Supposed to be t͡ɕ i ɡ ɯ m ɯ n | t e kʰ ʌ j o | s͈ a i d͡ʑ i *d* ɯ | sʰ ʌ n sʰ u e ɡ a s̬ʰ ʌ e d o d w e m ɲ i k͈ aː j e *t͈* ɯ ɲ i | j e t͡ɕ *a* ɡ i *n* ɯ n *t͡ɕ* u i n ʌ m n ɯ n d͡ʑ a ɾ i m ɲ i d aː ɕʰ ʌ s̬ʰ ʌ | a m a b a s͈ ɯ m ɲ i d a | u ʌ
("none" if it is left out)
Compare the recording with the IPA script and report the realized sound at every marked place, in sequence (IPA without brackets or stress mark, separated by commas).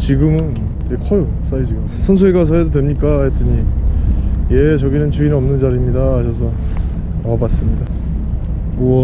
ɡ, t͈, ʌ, n, t͡ɕ